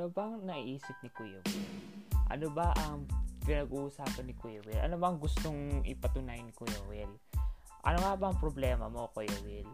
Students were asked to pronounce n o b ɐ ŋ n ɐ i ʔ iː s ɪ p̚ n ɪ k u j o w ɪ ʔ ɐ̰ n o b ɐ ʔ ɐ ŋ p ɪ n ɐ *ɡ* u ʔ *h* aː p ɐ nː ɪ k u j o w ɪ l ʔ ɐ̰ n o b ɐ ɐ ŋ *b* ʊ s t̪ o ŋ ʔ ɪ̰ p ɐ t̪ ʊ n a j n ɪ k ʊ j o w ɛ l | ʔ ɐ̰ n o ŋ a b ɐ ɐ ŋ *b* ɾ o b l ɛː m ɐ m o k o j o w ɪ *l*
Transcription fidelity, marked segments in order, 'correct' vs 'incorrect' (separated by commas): correct, incorrect, incorrect, incorrect, correct